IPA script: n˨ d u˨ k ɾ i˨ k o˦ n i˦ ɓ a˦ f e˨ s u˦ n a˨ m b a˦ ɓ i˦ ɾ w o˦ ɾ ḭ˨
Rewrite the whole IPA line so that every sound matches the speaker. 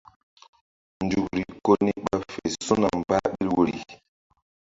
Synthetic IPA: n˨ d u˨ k ɾ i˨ k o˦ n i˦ ɓ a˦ f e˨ s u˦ n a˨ m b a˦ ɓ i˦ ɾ w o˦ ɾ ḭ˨